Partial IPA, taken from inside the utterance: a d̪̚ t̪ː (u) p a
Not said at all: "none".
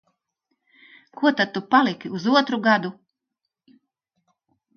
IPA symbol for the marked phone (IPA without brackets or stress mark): u